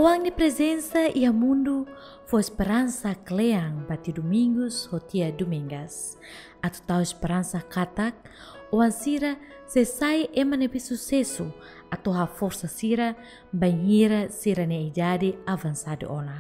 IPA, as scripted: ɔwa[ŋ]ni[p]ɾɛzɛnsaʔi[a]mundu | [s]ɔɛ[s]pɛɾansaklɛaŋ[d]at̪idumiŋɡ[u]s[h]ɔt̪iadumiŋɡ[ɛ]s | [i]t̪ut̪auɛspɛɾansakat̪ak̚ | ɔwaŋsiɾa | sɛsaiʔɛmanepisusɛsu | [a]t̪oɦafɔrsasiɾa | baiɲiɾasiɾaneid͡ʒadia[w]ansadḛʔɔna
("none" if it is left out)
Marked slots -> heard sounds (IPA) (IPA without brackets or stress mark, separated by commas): ŋ, p, a, f, s, b, u, h, a, a, a, v